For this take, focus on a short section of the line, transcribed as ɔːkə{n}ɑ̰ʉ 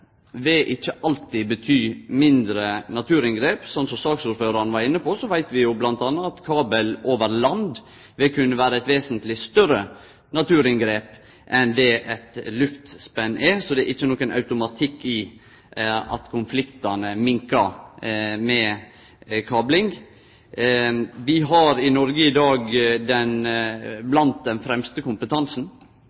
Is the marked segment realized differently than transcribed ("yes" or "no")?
no